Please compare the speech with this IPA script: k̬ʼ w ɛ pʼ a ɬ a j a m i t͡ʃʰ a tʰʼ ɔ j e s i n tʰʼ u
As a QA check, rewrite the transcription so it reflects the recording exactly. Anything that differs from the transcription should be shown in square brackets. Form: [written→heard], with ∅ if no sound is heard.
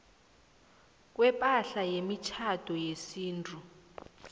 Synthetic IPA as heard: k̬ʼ w ɛ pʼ a ɬ a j [a→e] m i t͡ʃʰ a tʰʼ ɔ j e s [i→iː] n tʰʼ u